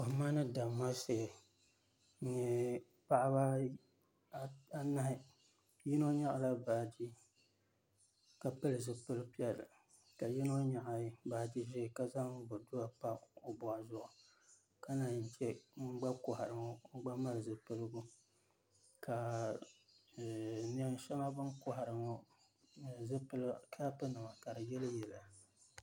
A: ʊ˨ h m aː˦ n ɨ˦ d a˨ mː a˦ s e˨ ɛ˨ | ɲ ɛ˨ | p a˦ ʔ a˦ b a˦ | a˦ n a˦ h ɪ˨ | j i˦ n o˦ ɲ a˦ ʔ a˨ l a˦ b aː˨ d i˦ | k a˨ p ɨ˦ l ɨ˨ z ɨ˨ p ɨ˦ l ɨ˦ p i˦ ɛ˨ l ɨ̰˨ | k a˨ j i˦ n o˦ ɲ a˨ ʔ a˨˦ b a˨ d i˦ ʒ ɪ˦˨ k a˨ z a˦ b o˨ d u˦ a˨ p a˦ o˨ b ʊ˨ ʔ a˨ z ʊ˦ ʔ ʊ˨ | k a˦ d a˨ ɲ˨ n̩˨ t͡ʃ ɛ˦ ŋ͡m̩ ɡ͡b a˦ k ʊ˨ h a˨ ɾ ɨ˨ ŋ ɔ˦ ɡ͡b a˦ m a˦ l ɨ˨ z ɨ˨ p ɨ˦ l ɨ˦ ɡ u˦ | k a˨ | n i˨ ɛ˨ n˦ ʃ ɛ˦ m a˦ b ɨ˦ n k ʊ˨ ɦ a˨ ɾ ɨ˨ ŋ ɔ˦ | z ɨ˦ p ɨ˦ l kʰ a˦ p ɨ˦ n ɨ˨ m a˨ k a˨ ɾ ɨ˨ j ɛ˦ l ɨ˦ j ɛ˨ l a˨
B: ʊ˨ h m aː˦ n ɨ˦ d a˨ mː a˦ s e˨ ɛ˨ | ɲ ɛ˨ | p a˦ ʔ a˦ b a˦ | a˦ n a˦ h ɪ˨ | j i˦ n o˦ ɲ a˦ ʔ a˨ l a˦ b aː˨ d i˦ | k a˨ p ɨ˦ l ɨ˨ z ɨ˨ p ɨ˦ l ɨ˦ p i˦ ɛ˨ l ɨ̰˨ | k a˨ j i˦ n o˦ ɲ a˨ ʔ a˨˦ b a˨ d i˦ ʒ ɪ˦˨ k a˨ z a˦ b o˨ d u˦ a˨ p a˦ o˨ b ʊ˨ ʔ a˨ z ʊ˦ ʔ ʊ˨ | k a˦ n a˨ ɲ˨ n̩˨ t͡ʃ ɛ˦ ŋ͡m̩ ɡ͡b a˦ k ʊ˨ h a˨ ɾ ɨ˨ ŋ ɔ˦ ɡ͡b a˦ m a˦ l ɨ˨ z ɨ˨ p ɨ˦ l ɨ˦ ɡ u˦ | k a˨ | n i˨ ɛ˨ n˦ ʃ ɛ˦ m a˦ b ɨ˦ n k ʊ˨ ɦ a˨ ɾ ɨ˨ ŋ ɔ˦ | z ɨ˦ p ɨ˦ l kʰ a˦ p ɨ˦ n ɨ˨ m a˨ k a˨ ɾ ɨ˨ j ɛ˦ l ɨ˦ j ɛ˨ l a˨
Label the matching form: B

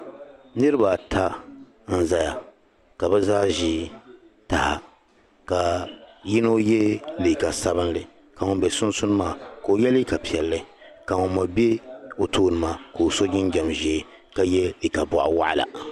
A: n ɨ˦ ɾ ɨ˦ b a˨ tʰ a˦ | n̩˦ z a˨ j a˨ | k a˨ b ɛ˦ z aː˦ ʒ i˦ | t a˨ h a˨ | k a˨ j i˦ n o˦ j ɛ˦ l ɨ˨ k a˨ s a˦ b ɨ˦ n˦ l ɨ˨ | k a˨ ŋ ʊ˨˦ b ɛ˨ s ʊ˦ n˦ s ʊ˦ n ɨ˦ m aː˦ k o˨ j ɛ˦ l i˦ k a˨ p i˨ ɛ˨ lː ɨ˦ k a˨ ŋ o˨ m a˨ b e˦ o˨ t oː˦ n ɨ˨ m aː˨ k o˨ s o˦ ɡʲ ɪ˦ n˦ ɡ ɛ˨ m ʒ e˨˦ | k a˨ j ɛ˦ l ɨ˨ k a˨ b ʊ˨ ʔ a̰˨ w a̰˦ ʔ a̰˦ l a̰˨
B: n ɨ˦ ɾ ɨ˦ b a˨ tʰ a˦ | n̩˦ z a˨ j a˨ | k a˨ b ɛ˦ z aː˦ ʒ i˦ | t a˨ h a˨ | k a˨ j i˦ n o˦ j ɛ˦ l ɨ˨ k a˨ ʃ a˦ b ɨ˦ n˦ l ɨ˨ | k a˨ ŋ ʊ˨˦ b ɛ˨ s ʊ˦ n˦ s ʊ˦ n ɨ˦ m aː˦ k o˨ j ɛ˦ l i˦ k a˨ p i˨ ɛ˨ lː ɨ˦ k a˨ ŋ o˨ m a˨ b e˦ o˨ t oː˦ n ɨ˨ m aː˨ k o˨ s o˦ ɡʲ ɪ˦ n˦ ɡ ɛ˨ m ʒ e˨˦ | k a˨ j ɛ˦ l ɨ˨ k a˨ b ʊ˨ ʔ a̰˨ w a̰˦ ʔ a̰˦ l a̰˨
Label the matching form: A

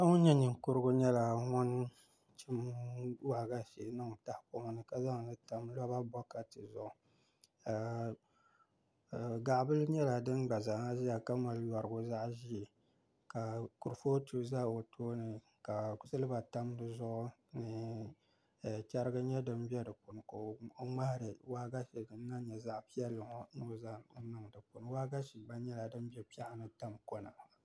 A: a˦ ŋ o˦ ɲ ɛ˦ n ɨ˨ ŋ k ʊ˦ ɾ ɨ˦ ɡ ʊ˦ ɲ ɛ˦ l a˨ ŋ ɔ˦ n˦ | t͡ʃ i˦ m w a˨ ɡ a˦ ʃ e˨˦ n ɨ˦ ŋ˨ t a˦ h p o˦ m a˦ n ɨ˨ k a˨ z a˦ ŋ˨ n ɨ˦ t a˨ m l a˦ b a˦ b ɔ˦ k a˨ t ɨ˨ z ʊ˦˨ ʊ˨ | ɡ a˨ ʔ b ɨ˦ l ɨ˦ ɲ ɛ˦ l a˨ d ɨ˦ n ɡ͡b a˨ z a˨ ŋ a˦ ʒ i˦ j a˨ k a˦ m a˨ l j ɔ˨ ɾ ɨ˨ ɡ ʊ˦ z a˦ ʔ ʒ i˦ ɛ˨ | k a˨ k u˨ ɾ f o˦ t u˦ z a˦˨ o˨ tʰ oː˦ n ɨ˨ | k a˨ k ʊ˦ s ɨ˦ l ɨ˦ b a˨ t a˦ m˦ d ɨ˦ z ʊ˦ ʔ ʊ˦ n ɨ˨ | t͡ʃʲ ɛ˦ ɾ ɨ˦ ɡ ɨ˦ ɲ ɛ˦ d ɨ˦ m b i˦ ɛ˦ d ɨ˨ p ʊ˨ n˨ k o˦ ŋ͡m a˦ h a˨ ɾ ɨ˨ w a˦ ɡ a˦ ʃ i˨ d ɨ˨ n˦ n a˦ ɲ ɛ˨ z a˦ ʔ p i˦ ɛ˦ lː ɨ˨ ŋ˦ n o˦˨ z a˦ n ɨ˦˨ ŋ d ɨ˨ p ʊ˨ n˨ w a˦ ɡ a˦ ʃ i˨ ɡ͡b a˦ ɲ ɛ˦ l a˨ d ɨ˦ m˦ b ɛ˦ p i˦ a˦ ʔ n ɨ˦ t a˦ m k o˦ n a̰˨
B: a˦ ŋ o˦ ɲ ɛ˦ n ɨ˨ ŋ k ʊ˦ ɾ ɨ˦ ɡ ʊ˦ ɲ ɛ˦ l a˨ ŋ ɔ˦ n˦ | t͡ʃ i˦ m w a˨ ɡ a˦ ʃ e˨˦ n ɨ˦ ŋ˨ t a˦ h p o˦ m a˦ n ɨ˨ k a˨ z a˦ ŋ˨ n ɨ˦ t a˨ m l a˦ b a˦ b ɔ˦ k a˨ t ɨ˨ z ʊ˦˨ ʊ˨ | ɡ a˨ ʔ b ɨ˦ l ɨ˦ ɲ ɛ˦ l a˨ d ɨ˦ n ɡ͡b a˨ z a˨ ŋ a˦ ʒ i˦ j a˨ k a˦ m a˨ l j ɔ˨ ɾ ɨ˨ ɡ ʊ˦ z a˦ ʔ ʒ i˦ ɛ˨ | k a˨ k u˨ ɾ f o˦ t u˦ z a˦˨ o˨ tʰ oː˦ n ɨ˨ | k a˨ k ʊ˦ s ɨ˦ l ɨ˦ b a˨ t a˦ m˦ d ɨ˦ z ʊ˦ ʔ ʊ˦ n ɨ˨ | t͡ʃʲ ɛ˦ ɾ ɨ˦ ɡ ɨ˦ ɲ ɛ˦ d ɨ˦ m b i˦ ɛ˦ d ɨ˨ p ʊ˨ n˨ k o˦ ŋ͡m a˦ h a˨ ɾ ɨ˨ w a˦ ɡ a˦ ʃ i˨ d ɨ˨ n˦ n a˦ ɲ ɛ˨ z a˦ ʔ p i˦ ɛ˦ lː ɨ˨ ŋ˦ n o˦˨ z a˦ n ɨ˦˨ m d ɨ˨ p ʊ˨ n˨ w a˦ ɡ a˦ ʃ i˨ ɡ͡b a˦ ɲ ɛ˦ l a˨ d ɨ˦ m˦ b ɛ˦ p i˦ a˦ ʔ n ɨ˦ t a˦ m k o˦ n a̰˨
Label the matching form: A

